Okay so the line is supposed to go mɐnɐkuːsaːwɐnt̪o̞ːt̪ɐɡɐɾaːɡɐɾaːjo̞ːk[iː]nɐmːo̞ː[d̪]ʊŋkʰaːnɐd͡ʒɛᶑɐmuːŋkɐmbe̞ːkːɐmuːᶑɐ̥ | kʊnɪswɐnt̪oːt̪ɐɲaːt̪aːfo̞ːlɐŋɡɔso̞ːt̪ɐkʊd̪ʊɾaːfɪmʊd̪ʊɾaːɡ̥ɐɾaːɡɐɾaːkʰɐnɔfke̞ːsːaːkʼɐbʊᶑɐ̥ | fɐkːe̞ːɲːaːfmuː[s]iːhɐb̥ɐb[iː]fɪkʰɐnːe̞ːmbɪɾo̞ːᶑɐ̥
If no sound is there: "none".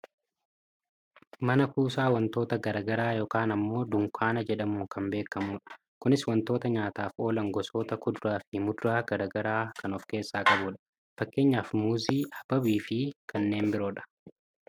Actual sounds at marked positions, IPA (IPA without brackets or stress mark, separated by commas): aː, d̪, z, iː